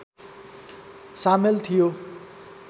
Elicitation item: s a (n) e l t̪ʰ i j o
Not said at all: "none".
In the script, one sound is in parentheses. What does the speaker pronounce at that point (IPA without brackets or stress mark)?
m